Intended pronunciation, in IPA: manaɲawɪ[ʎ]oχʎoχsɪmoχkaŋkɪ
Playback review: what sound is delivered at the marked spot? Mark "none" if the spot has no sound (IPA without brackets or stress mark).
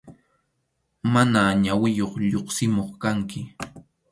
j